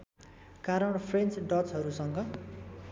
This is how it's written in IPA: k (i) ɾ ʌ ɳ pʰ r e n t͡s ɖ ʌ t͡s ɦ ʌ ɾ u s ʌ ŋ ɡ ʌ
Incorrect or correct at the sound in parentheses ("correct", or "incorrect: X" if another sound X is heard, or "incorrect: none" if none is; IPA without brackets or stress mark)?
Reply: incorrect: a